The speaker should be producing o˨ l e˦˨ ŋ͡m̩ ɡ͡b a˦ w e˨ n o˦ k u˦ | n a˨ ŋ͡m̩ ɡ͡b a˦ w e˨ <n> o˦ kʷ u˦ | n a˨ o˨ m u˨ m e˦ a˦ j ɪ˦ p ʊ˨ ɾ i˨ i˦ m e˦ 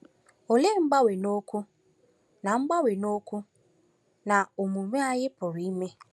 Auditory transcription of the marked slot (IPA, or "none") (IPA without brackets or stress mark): n